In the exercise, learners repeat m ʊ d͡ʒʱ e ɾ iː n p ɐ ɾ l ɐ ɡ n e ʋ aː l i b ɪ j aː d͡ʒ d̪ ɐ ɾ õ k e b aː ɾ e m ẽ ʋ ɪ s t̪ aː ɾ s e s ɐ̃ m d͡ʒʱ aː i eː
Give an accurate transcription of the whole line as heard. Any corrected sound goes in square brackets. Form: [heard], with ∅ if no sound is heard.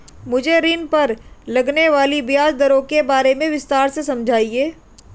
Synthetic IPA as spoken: m ʊ d͡ʒʱ e ɾ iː n p ɐ ɾ l ɐ ɡ n e ʋ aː l i b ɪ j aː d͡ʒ d̪ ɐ ɾ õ k e b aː ɾ e m ẽ ʋ ɪ s t̪ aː ɾ s e s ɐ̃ m d͡ʒʱ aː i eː